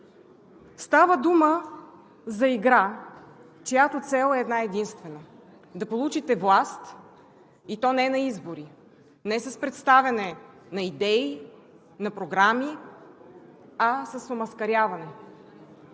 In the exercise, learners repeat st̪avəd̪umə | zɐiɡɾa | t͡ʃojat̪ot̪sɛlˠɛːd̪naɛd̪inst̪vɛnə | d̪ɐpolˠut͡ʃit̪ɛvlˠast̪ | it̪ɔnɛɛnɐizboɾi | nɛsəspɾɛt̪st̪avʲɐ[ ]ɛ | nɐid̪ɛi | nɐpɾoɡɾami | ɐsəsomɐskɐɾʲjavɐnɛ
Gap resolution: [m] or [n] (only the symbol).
n